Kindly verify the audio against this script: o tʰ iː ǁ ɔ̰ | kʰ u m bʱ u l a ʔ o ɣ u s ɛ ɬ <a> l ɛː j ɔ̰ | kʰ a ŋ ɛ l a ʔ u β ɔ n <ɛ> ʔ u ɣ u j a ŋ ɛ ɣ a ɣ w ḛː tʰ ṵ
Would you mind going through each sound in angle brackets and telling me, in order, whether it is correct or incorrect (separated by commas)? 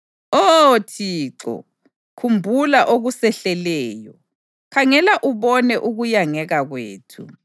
incorrect, correct